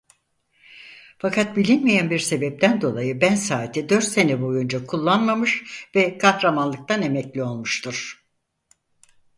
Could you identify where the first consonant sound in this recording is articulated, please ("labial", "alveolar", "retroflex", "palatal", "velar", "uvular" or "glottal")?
labial